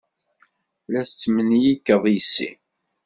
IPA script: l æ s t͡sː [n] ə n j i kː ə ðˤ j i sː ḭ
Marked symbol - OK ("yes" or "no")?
no